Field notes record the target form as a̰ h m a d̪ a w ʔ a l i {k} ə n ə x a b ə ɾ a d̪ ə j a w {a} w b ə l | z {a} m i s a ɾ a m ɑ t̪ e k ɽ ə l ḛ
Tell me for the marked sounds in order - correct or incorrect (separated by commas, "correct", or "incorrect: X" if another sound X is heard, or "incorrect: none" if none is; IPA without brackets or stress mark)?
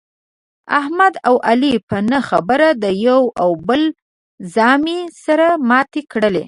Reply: incorrect: p, correct, incorrect: ɑ